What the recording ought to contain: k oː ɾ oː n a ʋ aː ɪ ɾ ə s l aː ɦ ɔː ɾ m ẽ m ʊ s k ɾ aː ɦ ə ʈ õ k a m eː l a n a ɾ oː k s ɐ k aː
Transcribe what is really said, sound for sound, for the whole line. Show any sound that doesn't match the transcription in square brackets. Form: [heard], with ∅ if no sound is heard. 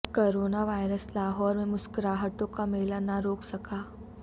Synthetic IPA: k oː ɾ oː n a ʋ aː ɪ ɾ ə s l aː ɦ ɔː ɾ m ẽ m ʊ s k ɾ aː ɦ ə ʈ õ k a m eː l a n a ɾ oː k s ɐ k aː

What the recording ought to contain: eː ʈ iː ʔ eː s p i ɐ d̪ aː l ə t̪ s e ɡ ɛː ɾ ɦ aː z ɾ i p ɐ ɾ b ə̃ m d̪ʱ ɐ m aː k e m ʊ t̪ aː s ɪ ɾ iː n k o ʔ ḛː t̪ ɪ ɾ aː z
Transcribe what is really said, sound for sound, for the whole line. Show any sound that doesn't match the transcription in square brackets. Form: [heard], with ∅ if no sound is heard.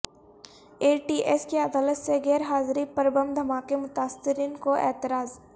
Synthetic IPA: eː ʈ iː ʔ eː s [k] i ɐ d̪ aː l ə t̪ s e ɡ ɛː ɾ ɦ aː z ɾ i p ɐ ɾ b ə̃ m d̪ʱ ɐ m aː k e m ʊ t̪ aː s ɪ ɾ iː n k o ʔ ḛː t̪ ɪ ɾ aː z

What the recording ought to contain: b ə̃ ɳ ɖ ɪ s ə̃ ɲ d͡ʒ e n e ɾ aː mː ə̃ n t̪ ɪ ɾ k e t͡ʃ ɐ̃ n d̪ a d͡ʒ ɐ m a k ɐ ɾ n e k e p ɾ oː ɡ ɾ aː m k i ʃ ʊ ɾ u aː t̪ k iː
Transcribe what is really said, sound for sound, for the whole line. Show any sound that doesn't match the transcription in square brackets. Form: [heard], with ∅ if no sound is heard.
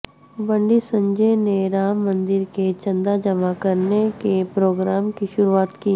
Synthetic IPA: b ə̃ ɳ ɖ [i] s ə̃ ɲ d͡ʒ e n e ɾ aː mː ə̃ n [d̪] ɪ ɾ k e t͡ʃ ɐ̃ n d̪ a d͡ʒ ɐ m a k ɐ ɾ n e k e p ɾ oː ɡ ɾ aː m k i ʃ ʊ ɾ u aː t̪ k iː

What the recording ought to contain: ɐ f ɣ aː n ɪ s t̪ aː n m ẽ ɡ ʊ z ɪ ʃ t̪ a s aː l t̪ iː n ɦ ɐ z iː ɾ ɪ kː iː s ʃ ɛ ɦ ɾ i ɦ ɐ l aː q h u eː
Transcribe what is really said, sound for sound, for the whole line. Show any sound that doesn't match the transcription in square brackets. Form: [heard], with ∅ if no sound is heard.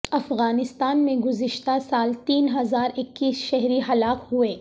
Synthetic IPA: ɐ f ɣ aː n ɪ s t̪ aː n m ẽ ɡ ʊ z ɪ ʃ t̪ a s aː l t̪ iː n ɦ ɐ z [aː] ɾ ɪ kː iː s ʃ ɛ ɦ ɾ i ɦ ɐ l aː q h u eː

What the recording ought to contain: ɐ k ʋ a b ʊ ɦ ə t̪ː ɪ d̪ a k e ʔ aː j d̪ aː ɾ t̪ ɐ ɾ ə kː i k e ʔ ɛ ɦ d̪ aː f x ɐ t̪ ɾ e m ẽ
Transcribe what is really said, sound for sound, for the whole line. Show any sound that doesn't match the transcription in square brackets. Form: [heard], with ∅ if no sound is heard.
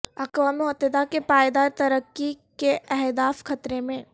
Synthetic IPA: ɐ k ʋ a [m] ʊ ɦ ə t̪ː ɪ d̪ a k e [p] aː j d̪ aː ɾ t̪ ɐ ɾ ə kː i k e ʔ ɛ ɦ d̪ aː f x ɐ t̪ ɾ e m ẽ

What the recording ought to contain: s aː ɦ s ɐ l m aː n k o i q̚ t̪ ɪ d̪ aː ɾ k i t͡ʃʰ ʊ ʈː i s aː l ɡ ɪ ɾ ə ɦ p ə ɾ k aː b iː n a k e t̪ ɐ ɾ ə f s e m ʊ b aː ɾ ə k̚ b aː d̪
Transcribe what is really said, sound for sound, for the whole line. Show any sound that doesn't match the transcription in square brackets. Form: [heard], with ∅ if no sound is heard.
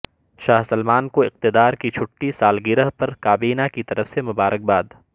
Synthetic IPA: [ʃ] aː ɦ s ɐ l m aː n k o [ɪ] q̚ t̪ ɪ d̪ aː ɾ k i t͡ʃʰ ʊ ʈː i s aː l ɡ ɪ ɾ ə ɦ p [ɐ] ɾ k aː b iː n a k [i] t̪ ɐ ɾ ə f s e m ʊ b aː ɾ ə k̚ b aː d̪

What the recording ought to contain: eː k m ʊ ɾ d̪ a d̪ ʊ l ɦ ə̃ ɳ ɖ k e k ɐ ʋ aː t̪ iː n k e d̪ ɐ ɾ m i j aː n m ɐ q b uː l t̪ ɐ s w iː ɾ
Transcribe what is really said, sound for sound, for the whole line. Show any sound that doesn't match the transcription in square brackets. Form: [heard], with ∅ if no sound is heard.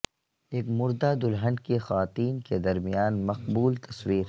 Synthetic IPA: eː k m ʊ ɾ d̪ a d̪ ʊ l ɦ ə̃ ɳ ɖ k e [x] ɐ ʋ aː t̪ iː n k e d̪ ɐ ɾ m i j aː n m ɐ q b uː l t̪ ɐ s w iː ɾ

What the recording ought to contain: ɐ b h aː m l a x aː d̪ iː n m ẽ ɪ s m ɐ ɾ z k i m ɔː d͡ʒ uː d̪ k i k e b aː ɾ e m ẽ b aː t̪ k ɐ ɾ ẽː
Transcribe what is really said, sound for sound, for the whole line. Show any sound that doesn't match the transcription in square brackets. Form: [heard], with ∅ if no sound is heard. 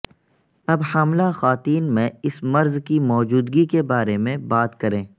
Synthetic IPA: ɐ b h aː m l a x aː [t̪] iː n m ẽ ɪ s m ɐ ɾ z k i m ɔː d͡ʒ uː d̪ [ɡ] i k e b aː ɾ e m ẽ b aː t̪ k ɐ ɾ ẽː

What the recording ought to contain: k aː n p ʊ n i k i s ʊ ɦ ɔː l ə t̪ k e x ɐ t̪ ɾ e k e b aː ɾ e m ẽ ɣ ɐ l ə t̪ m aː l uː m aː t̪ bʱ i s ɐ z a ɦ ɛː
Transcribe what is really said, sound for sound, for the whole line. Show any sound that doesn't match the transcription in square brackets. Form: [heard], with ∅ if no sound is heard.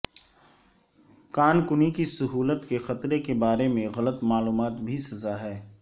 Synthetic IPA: k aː n [k] ʊ n i k i s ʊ ɦ [uː] l ə t̪ k e x ɐ t̪ ɾ e k e b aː ɾ e m ẽ ɣ ɐ l ə t̪ m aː l uː m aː t̪ bʱ i s ɐ z a ɦ ɛː

